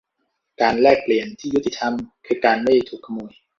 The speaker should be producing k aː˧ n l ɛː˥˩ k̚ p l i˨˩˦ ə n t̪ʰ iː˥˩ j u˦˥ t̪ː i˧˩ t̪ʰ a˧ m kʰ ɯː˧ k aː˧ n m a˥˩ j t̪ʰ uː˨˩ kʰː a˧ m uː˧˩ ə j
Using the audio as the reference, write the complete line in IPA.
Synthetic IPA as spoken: k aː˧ n l ɛː˥˩ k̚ p l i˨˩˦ ə n t̪ʰ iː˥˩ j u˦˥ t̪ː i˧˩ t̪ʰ a˧ m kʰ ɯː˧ k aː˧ n m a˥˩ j t̪ʰ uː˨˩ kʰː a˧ m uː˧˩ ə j